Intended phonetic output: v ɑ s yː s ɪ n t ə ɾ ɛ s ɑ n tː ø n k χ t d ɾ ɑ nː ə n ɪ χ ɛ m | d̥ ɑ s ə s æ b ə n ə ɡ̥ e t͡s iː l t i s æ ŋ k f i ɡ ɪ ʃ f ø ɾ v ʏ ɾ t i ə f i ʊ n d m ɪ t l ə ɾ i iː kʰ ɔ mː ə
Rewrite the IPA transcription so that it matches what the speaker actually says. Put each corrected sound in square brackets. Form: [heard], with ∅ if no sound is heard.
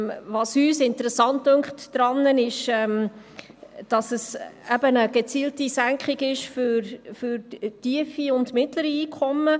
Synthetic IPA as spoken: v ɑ s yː s ɪ n t ə ɾ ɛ s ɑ n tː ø [ŋ] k χ t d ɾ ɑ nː ə n ɪ [ʃ] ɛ m | d̥ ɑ s ə s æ b ə n ə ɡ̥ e t͡s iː l t i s æ ŋ k [χ] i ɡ ɪ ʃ f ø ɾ [f] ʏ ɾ t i ə f i ʊ n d m ɪ t l ə ɾ i iː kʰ ɔ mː ə